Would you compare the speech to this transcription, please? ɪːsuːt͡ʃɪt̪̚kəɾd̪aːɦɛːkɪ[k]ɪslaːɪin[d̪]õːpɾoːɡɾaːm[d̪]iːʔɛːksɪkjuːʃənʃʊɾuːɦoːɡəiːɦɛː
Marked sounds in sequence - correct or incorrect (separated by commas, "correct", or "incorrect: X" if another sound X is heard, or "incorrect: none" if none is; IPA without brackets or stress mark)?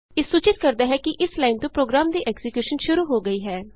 incorrect: ʔ, incorrect: t̪, correct